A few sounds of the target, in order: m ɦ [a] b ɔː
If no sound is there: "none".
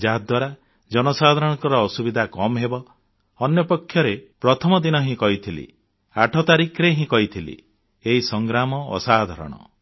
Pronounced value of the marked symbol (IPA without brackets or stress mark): e